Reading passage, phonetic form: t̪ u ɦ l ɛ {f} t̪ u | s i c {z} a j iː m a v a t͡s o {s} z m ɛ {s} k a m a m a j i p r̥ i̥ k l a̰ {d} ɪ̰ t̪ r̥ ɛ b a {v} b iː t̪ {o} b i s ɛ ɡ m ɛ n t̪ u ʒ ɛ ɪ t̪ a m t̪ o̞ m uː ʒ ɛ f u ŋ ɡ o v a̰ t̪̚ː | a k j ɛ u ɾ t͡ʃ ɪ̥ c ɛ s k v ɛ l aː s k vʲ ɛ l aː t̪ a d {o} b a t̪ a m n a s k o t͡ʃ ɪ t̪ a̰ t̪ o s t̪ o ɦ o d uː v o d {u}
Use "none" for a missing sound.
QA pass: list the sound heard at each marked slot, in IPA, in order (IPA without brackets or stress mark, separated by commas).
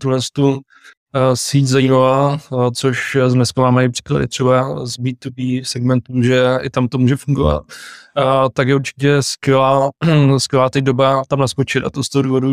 s, z, ʃ, s, d, z, u, o, u